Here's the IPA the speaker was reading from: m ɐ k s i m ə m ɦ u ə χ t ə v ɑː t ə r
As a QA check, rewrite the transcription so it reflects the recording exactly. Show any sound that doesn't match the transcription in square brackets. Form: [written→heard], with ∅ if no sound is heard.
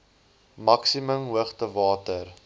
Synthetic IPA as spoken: m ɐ k s i m ə m ɦ u ə χ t ə v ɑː t ə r